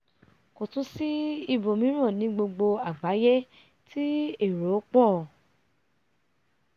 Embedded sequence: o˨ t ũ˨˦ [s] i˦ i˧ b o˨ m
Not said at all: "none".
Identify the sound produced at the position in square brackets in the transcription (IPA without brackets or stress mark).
s